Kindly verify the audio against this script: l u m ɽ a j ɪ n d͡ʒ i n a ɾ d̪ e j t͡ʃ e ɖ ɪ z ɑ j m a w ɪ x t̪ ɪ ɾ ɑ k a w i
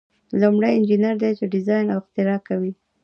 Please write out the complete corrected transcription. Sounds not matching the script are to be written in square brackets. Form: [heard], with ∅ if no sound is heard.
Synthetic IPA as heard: l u m ɽ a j ɪ n d͡ʒ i n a ɾ d̪ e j t͡ʃ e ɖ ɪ z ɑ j [n] a w ɪ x t̪ ɪ ɾ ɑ k a w i